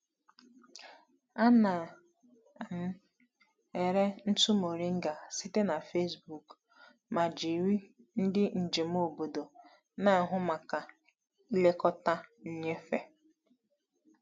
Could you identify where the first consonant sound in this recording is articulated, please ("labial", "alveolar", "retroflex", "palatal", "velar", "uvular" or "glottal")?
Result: alveolar